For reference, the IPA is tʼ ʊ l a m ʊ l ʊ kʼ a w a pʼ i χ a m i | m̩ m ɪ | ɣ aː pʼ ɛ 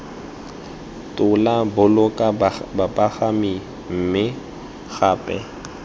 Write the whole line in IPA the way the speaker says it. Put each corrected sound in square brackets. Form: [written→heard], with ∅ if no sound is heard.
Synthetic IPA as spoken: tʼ ʊ l a [m→b] ʊ l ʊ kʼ a [w→b] a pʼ [i→a] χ a m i | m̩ m ɪ | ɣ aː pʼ ɛ